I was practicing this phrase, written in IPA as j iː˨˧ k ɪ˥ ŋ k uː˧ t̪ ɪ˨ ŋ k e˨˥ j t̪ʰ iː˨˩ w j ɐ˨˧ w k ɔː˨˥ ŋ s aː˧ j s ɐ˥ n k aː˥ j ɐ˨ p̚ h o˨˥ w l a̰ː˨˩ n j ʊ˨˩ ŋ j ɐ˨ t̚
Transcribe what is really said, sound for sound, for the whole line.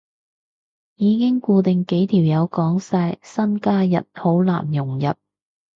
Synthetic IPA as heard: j iː˨˧ k ɪ˥ ŋ k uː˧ t̪ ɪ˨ ŋ k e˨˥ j t̪ʰ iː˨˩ w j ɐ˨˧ w k ɔː˨˥ ŋ s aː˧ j s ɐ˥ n k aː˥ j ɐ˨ t̚ h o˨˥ w l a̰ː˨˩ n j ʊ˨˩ ŋ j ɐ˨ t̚